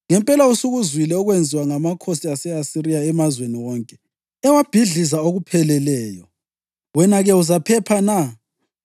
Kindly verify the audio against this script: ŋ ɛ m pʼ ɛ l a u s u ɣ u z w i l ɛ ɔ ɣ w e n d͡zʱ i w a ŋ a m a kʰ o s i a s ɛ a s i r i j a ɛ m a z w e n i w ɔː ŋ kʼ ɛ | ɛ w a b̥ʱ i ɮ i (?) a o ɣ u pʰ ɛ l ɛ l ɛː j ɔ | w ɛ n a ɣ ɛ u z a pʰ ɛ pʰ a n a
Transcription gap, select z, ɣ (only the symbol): z